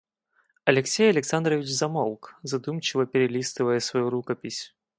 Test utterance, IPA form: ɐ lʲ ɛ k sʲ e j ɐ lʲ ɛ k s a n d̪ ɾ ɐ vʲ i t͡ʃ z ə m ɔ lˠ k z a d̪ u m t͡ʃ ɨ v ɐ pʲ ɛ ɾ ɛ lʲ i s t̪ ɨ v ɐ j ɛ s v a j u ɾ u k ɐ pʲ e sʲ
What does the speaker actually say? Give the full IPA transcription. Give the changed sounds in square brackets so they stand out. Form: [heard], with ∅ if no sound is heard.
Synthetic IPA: ɐ lʲ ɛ k sʲ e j ɐ lʲ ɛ k s a n d̪ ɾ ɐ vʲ i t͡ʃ z [a] m ɔ lˠ k z a d̪ u m t͡ʃ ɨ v ɐ pʲ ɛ ɾ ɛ lʲ i s t̪ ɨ v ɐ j ɛ s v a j u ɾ u k ɐ pʲ [i] sʲ

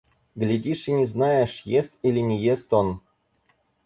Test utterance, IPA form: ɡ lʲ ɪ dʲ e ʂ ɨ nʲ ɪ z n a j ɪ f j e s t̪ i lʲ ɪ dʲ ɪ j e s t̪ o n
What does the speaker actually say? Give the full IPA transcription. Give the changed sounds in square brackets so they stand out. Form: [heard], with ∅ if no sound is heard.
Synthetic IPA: ɡ lʲ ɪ dʲ [i] ʂ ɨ nʲ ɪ z n a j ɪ [ʂ] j e s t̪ i lʲ ɪ [nʲ] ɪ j e s t̪ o n

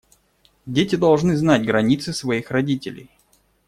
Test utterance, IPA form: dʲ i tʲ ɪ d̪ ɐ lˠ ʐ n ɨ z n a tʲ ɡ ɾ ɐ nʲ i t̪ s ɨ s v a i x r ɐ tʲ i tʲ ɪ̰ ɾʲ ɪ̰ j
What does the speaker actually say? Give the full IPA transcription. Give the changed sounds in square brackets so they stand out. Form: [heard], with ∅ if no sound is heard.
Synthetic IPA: dʲ [e] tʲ ɪ d̪ ɐ lˠ ʐ n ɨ z n a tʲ ɡ ɾ ɐ nʲ i t̪ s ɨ s v [ɐ] i x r ɐ [dʲ] i tʲ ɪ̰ [lʲ] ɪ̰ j

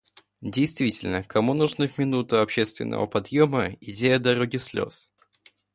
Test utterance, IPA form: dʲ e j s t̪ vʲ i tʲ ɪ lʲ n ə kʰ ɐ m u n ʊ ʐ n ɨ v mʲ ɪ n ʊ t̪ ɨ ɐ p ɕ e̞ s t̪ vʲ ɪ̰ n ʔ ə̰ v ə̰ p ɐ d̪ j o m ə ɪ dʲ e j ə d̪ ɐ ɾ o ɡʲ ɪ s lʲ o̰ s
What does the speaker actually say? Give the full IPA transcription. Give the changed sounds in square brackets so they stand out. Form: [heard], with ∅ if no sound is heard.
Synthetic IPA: dʲ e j s t̪ vʲ i tʲ ɪ lʲ n ə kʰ ɐ m u n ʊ ʐ n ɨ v mʲ ɪ n [u] t̪ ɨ ɐ p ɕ e̞ s t̪ vʲ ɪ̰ n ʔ ə̰ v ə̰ p ɐ d̪ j o m ə ɪ dʲ e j ə d̪ ɐ ɾ o ɡʲ ɪ s lʲ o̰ s

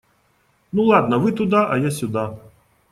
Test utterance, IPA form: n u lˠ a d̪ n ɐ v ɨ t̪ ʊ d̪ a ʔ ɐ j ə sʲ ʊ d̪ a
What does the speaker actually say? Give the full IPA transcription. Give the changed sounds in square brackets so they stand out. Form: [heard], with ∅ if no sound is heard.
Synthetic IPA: n u lˠ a d̪ n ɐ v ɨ t̪ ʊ d̪ a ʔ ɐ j [a] sʲ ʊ d̪ a

